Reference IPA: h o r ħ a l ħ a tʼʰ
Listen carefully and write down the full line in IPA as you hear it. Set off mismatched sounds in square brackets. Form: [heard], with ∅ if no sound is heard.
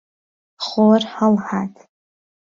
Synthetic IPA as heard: [χ] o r ħ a l ħ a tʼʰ

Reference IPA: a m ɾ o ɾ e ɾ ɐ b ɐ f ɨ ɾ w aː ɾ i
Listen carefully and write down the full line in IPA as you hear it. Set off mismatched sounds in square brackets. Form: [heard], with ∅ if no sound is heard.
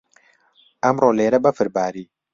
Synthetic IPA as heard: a m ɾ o [l] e ɾ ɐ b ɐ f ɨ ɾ [b] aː ɾ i

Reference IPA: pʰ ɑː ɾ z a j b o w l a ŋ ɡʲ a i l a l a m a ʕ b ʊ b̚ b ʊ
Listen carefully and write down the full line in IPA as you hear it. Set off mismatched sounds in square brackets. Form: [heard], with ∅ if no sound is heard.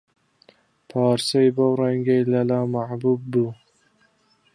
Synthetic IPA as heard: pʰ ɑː ɾ [s] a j b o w [ɾ] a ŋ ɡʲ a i l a l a m a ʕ b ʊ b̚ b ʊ

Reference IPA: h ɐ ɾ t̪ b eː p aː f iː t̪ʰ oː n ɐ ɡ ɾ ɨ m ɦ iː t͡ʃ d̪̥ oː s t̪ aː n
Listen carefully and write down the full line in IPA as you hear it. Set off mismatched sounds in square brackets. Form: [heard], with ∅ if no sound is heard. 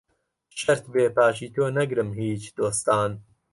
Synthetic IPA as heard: [ʃ] ɐ ɾ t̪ b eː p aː [ʃ] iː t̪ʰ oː n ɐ ɡ ɾ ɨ m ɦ iː t͡ʃ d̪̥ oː s t̪ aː n

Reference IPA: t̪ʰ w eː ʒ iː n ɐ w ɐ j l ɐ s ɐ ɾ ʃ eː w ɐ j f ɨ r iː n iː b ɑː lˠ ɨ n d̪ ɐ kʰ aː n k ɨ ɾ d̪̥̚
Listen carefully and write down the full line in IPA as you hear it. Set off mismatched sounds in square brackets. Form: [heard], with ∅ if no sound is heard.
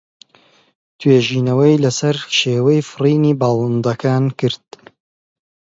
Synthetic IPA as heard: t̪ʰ w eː ʒ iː n ɐ w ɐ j l ɐ s ɐ ɾ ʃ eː w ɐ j f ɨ r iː n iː b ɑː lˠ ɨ n d̪ ɐ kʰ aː n k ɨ ɾ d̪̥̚

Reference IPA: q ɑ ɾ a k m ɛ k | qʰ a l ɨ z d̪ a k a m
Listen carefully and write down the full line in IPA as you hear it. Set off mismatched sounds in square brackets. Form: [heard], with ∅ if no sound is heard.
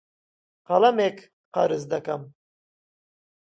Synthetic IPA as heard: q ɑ [l] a [∅] m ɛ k | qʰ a [ɾ] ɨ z d̪ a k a m

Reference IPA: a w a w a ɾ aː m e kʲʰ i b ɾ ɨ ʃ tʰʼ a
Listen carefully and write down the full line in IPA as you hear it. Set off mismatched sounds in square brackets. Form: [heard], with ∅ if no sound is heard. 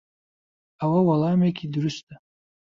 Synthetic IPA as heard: a w a w a [l] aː m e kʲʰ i [d] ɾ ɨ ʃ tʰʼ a

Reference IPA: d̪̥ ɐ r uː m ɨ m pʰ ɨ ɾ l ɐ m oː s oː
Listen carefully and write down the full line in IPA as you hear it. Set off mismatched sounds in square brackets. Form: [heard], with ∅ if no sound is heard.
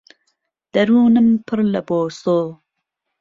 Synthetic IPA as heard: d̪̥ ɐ [ɾ] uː [n] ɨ m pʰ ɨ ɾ l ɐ [b] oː s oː

